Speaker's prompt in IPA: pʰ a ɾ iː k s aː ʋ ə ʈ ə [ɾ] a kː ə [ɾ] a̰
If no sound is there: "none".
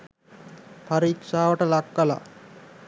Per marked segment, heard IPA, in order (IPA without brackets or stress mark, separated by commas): l, l